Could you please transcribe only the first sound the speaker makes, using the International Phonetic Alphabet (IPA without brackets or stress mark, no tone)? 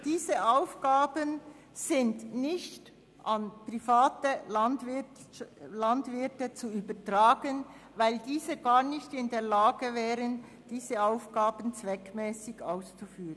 d̥